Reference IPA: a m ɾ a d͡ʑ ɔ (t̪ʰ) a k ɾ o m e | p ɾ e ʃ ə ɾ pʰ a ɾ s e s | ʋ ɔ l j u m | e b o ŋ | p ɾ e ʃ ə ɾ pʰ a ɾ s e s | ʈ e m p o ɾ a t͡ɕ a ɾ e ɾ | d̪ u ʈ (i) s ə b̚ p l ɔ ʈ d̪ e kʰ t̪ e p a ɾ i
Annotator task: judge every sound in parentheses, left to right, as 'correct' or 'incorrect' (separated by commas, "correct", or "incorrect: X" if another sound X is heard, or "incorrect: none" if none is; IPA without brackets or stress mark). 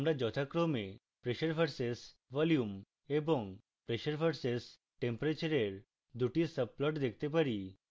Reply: correct, correct